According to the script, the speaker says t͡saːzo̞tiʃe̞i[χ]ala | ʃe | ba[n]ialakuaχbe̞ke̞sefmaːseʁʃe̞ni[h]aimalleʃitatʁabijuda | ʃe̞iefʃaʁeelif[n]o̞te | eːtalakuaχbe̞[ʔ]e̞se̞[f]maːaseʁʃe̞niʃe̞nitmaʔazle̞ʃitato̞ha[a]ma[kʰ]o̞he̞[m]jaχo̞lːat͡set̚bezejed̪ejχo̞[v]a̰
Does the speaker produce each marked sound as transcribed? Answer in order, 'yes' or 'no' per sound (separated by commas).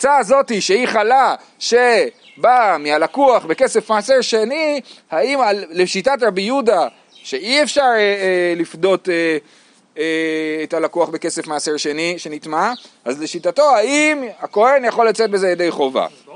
yes, no, yes, no, no, yes, no, no, no, yes